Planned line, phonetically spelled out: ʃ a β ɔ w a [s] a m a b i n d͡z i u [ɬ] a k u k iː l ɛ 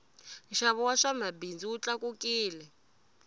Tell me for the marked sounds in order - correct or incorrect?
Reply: incorrect, incorrect

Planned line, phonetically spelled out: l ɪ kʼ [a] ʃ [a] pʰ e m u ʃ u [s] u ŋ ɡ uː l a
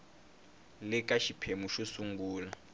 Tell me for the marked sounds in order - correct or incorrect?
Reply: correct, incorrect, correct

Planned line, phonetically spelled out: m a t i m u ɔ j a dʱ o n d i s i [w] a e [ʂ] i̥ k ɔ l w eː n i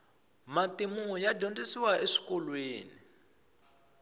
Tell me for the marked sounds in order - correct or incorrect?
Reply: correct, correct

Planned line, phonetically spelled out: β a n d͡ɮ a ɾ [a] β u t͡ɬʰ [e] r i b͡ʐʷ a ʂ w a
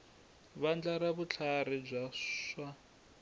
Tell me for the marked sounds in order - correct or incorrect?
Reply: correct, incorrect

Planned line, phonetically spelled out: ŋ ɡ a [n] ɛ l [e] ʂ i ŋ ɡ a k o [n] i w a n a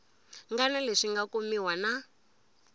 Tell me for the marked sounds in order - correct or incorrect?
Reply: correct, correct, incorrect

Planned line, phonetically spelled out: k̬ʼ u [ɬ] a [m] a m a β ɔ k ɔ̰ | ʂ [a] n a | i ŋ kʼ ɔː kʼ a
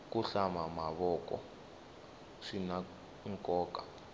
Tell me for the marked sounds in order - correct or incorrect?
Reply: correct, correct, incorrect

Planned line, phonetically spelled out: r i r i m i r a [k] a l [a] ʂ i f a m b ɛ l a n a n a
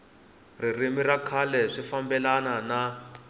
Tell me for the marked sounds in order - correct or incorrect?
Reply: incorrect, incorrect

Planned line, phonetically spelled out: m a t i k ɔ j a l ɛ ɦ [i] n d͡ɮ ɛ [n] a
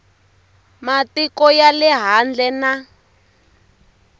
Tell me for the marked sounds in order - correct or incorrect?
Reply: incorrect, correct

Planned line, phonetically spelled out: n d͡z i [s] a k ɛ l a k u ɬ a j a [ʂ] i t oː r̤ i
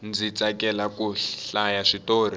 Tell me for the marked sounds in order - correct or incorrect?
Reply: incorrect, correct

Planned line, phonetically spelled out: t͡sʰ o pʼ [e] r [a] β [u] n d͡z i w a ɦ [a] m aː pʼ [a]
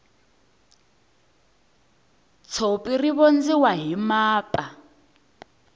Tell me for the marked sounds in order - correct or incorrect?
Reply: incorrect, incorrect, incorrect, incorrect, correct

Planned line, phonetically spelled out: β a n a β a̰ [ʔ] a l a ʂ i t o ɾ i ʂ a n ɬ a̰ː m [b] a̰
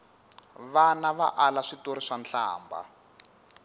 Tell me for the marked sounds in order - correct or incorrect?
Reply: correct, correct

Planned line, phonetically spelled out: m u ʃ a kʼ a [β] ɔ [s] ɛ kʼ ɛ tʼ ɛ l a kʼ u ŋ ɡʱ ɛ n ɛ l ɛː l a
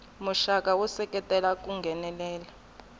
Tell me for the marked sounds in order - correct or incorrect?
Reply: incorrect, correct

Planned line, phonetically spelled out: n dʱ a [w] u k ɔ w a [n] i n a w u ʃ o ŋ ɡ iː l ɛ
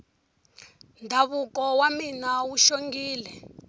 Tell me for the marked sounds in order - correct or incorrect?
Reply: incorrect, incorrect

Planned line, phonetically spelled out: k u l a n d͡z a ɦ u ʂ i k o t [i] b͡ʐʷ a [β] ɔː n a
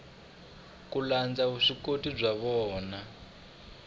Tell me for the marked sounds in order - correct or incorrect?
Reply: correct, correct

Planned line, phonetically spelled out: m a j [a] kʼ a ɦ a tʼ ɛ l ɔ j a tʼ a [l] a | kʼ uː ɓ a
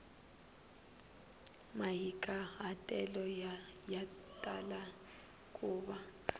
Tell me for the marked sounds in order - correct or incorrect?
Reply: incorrect, correct

